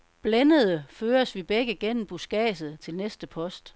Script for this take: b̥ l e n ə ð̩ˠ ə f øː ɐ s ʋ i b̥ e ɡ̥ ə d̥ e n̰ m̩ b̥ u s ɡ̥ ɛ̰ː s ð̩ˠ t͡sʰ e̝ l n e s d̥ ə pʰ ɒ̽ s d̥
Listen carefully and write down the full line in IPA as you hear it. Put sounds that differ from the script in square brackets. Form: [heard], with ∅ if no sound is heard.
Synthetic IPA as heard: b̥ l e n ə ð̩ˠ ə f øː ɐ s ʋ i b̥ e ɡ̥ ə [ɡ̥] e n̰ m̩ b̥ u s ɡ̥ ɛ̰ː s ð̩ˠ t͡sʰ e̝ l n e s d̥ ə pʰ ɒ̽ s d̥